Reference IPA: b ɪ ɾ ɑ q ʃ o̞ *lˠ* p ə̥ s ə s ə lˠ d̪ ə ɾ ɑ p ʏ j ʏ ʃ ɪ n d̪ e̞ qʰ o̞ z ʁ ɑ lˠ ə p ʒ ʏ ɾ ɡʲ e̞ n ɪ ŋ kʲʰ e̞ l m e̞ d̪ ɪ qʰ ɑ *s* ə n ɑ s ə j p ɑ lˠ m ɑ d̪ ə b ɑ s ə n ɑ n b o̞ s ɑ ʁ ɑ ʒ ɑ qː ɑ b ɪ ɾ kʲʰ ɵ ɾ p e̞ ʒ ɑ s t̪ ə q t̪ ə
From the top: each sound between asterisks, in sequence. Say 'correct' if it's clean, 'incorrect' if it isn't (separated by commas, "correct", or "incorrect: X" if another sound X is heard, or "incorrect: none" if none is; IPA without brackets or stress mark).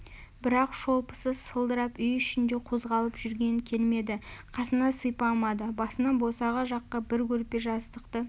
correct, correct